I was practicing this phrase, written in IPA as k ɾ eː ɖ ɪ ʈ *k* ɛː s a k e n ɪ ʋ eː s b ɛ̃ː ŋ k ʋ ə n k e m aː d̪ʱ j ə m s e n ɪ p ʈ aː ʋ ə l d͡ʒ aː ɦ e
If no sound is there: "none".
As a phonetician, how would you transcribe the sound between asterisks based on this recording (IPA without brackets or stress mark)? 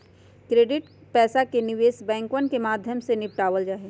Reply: p